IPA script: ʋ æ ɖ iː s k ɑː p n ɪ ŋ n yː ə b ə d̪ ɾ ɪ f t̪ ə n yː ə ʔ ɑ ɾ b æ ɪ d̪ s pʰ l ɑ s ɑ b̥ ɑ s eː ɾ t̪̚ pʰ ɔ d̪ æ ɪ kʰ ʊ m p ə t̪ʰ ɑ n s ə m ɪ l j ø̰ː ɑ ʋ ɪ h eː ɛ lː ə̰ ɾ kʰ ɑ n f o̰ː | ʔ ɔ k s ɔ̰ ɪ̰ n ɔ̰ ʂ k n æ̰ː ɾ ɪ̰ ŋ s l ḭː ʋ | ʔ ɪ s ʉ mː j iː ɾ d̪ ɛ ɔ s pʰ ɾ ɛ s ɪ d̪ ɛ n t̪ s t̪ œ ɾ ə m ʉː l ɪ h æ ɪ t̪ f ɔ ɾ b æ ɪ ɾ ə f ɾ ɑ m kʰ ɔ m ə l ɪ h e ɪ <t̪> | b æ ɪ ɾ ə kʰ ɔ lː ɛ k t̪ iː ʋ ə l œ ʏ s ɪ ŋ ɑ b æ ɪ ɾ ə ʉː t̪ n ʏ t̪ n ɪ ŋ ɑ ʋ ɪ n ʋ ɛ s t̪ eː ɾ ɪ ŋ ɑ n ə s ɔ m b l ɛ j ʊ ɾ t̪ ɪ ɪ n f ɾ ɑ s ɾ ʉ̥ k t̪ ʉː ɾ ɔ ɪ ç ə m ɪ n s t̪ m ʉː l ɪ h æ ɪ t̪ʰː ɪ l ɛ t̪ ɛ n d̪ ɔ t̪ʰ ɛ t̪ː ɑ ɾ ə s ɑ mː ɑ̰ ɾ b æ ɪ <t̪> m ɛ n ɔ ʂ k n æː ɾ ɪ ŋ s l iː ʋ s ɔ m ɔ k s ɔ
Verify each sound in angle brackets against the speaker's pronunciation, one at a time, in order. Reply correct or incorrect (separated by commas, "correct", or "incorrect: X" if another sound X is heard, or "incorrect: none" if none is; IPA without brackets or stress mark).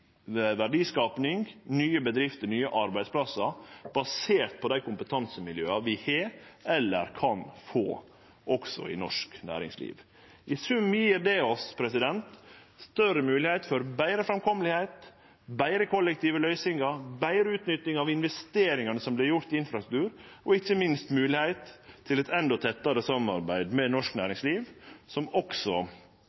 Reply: correct, incorrect: d̪